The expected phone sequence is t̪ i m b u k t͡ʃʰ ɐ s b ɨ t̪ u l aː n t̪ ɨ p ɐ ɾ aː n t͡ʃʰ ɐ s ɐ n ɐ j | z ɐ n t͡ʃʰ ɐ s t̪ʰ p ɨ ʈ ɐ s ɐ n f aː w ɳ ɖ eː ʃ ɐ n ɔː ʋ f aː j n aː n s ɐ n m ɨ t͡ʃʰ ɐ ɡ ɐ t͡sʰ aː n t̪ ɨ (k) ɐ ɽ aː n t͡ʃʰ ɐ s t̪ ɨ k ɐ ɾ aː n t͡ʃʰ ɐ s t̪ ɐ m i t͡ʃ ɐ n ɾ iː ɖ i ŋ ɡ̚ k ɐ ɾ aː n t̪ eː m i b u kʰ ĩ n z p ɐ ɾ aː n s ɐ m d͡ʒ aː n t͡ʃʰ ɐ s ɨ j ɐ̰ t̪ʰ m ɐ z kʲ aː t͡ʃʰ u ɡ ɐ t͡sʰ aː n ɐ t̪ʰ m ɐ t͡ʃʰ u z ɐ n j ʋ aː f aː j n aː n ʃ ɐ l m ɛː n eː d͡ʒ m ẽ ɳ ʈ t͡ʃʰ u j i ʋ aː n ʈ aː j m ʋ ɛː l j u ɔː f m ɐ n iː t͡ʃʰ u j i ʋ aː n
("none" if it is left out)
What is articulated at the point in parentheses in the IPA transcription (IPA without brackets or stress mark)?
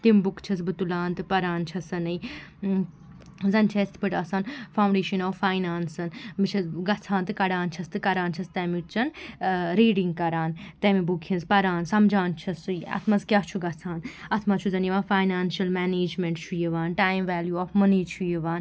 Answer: k